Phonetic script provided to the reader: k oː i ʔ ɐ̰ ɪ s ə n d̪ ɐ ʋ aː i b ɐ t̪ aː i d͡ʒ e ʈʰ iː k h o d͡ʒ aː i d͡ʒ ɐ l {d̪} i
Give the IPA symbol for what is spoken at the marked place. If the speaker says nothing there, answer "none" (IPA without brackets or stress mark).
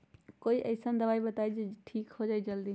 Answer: d̪